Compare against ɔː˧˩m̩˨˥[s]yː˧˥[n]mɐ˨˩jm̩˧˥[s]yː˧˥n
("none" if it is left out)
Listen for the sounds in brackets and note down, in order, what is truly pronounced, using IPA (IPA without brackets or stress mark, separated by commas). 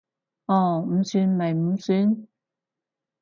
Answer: s, n, s